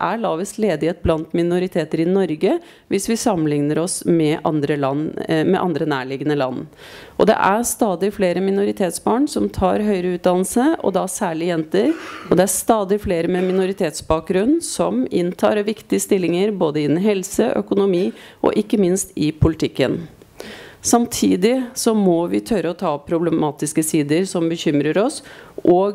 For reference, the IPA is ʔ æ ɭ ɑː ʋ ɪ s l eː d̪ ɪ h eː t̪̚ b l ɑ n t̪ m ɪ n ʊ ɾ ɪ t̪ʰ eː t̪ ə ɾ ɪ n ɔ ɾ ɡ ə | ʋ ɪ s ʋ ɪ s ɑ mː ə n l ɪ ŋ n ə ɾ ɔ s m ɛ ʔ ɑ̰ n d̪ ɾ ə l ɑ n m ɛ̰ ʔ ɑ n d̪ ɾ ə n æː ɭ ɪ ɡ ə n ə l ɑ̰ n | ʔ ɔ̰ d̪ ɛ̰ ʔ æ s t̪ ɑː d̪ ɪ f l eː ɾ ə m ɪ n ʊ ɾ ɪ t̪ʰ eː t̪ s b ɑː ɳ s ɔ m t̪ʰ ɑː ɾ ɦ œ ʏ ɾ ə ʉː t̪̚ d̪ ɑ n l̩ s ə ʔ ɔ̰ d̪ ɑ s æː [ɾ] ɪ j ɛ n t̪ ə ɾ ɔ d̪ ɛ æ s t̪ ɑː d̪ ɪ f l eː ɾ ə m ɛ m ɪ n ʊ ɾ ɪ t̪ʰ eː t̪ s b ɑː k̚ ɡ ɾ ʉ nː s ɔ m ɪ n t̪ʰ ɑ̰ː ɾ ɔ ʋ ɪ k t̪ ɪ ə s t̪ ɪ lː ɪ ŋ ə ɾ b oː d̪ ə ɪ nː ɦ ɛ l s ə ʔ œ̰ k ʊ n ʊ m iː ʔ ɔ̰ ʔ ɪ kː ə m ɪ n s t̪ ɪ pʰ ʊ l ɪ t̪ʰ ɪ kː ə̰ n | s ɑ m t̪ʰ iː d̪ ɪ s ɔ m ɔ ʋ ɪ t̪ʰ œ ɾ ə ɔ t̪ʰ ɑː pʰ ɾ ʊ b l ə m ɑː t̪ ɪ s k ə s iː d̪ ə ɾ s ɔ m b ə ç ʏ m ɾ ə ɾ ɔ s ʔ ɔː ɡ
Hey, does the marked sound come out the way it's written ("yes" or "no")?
no